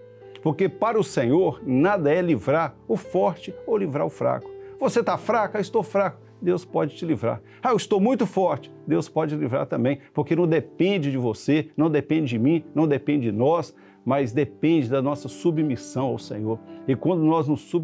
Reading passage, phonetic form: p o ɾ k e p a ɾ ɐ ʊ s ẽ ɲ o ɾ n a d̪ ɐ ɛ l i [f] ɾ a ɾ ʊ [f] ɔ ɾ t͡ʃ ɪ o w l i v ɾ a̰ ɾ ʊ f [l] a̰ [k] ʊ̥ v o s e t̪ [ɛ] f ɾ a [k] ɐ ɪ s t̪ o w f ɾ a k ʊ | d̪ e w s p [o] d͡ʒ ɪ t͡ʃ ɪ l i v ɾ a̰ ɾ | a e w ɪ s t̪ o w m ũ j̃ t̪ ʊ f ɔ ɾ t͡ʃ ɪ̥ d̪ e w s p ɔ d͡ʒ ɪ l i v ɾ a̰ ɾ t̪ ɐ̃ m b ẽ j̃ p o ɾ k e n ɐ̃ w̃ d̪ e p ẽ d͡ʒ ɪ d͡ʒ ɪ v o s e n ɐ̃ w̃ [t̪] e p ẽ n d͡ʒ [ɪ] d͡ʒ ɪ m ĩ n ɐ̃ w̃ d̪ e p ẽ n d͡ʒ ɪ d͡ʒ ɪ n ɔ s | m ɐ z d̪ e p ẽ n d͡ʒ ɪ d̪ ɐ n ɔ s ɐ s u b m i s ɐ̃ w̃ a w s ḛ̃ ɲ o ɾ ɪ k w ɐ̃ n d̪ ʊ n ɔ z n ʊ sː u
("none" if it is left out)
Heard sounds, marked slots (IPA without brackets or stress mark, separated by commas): v, f, ɾ, k, a, k, ɔ, d̪, ɪ